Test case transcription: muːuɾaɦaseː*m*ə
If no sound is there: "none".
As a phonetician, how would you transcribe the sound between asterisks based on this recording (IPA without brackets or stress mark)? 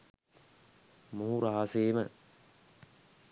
m